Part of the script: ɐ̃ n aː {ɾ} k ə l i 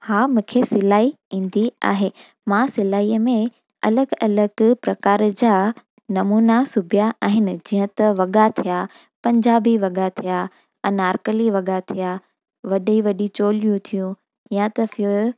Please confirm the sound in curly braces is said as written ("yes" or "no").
yes